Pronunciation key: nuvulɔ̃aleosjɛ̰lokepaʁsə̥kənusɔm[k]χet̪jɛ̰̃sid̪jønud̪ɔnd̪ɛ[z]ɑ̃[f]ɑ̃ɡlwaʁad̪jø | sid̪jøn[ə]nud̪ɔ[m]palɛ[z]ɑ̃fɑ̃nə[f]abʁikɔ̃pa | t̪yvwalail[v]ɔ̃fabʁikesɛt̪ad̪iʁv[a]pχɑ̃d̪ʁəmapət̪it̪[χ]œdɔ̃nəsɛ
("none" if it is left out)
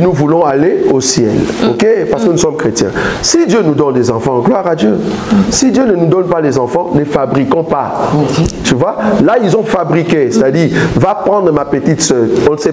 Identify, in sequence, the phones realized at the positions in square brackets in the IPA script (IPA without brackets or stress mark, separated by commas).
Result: k, z, f, ə, n, z, f, z, a, s